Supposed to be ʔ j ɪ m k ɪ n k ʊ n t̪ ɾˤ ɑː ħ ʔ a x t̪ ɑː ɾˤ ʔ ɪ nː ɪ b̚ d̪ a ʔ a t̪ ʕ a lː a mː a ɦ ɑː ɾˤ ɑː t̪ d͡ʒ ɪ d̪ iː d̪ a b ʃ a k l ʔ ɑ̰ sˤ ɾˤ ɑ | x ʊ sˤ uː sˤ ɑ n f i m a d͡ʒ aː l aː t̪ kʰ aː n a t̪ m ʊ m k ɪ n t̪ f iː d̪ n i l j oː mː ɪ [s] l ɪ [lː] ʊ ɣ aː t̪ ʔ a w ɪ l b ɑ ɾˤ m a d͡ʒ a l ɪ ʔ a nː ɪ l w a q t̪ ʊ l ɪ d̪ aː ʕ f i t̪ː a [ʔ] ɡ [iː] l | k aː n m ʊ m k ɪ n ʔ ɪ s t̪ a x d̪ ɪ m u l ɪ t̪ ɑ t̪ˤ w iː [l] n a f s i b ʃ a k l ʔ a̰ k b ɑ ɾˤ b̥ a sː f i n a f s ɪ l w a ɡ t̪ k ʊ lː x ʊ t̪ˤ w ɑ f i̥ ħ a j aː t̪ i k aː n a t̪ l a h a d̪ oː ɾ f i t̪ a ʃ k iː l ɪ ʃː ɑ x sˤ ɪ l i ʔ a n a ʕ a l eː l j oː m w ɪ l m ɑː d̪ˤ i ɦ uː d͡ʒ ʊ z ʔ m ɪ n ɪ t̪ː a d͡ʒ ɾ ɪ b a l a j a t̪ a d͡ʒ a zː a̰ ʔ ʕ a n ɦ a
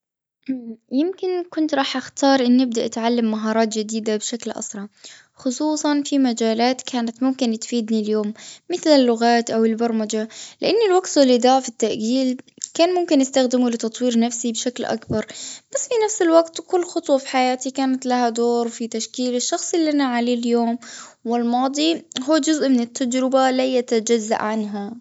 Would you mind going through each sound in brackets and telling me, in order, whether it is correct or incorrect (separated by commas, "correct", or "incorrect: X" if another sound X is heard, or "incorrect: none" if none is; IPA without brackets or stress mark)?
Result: incorrect: θ, correct, correct, correct, incorrect: ɾ